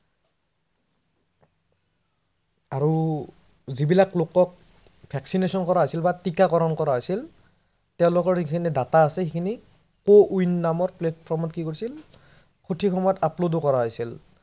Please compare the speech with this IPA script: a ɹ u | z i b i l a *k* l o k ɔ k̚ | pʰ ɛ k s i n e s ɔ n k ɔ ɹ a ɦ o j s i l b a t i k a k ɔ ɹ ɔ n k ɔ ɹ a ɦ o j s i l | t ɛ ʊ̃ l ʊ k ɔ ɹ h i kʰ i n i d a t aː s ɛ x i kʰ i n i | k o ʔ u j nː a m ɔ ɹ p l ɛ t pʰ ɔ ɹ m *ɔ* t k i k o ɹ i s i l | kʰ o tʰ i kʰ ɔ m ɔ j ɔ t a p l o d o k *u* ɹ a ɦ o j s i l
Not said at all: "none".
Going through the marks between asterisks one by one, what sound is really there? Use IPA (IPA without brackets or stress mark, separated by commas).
k, ɔ, ɔ